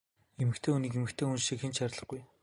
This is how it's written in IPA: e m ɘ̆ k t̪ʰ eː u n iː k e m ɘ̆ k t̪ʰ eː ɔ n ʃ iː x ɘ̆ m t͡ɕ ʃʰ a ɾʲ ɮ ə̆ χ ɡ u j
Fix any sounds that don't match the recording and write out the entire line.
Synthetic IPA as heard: e m ɘ̆ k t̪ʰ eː u n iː k e m ɘ̆ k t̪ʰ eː u n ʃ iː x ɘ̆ n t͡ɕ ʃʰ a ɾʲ ɮ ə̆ χ ɡ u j